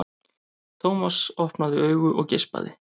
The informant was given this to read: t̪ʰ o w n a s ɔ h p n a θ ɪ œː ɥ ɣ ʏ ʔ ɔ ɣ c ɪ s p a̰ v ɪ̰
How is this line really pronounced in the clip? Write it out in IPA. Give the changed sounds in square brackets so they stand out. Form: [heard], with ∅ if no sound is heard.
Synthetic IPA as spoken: t̪ʰ o w [m] a s ɔ h p n a [ð] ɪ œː ɥ ɣ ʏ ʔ ɔ ɣ c ɪ s p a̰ [ð] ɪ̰